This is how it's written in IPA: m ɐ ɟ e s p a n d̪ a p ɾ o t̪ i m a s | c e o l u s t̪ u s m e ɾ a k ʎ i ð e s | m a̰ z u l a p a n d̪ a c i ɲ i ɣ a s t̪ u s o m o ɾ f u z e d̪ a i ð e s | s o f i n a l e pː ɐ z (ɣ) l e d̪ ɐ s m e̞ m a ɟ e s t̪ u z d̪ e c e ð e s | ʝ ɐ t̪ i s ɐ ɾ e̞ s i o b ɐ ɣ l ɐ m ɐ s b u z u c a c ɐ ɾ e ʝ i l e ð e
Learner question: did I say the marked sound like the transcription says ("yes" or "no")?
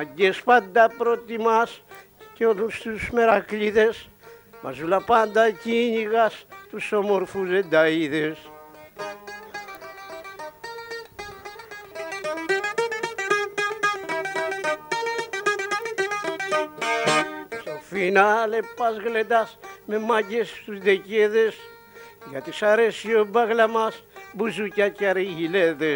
yes